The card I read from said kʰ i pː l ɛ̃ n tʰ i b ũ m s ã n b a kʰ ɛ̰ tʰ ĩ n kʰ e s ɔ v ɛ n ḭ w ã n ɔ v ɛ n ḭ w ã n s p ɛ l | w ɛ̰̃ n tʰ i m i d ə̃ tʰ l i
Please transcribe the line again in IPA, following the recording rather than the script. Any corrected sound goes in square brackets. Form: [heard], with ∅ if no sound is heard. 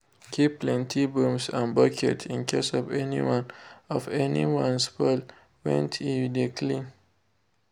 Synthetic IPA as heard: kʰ i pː l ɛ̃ n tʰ i b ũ m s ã n b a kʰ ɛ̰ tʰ ĩ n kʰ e s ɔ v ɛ n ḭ w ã n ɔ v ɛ n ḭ w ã n s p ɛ l | w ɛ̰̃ n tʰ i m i d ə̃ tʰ l i